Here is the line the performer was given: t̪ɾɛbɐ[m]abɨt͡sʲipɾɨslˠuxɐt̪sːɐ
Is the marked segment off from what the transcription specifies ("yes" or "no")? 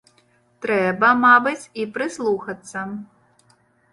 no